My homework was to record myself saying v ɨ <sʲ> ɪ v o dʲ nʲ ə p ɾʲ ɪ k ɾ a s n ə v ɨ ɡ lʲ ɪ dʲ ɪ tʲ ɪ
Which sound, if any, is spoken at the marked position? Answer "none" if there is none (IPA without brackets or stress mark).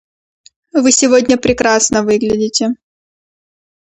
sʲ